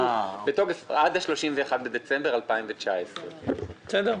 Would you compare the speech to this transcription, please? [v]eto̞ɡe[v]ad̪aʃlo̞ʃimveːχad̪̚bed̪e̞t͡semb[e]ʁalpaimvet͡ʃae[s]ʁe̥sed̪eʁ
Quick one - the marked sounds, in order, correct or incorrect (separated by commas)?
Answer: incorrect, incorrect, correct, correct